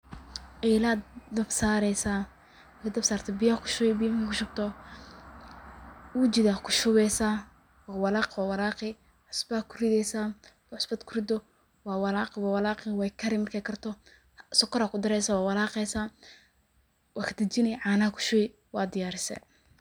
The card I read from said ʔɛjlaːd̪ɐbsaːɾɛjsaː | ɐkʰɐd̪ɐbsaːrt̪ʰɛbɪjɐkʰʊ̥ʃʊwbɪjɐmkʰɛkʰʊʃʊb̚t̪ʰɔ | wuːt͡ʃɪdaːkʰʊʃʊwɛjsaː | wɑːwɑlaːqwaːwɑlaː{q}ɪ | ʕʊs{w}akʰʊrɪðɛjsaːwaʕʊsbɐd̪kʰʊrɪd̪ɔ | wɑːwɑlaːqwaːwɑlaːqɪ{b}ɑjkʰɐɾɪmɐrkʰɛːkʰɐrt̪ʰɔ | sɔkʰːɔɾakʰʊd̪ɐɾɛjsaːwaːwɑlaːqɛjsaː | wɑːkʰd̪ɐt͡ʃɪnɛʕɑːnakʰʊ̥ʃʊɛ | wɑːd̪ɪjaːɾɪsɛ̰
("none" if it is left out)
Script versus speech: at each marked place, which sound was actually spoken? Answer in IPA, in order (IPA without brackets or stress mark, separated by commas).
q, b, w